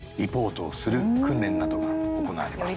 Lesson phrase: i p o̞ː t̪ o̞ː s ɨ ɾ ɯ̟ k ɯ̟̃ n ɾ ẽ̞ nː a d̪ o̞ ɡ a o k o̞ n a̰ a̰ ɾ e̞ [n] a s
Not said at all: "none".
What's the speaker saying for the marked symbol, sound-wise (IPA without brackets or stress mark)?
m